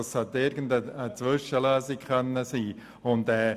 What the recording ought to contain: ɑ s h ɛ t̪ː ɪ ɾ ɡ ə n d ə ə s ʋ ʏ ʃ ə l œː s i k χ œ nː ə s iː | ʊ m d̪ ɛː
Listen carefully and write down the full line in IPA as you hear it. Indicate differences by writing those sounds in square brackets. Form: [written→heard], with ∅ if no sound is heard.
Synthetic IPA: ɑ s h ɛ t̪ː ɪ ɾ ɡ ə n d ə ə [s→t͡s] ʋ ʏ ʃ ə l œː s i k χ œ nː ə s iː | ʊ [m→n] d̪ ɛː